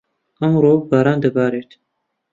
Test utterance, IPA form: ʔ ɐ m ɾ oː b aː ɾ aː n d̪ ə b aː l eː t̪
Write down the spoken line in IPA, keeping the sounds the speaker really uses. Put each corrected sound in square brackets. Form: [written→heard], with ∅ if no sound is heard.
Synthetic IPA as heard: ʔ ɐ m ɾ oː b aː ɾ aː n d̪ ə b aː [l→ɾ] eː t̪